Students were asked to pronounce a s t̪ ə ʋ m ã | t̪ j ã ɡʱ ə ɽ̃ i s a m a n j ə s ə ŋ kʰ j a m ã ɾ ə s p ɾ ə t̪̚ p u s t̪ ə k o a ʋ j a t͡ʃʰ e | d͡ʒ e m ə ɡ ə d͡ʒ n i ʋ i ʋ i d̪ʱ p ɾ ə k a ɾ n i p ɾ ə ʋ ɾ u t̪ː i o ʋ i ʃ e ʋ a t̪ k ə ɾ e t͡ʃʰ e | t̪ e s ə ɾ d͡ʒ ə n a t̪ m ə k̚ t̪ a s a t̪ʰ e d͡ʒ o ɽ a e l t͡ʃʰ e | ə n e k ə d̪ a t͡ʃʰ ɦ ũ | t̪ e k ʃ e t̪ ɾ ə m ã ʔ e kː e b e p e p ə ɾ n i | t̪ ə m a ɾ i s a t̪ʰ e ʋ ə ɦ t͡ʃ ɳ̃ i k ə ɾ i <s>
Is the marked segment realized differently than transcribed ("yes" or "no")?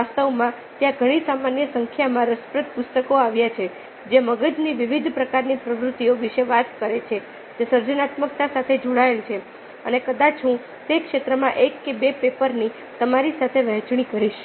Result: yes